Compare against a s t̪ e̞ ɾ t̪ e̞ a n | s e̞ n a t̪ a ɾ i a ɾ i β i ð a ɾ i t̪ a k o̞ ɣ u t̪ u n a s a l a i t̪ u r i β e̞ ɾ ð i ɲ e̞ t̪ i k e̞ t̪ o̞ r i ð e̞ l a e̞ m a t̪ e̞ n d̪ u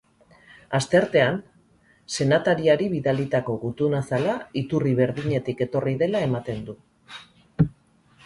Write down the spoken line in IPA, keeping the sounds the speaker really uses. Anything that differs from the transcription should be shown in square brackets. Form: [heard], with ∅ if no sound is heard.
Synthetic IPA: a s t̪ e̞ ɾ t̪ e̞ a n | s e̞ n a t̪ a ɾ i a ɾ i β i ð a [l] i t̪ a k o̞ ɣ u t̪ u n a s a l a i t̪ u r i β e̞ ɾ ð i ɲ e̞ t̪ i k e̞ t̪ o̞ r i ð e̞ l a e̞ m a t̪ e̞ n d̪ u